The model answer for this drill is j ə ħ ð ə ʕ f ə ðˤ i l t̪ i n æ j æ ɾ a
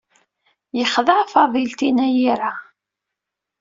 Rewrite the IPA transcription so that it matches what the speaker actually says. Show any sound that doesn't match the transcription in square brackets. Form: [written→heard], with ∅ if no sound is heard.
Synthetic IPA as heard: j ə [ħ→χ] ð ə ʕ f [ə→ɑ] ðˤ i l t̪ i n æ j [æ→i] ɾ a